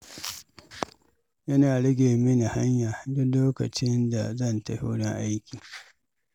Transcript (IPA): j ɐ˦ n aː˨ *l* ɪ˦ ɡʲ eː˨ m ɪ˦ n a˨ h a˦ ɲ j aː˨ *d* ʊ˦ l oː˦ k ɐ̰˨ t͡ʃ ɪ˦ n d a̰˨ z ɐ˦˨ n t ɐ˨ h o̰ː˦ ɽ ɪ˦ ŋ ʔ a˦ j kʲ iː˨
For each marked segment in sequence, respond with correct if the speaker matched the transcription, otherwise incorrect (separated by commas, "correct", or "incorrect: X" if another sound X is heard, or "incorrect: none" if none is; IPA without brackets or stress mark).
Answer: incorrect: ɽ, correct